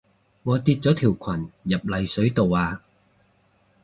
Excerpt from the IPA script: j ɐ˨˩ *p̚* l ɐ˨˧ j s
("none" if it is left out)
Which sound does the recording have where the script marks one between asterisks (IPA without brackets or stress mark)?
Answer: p̚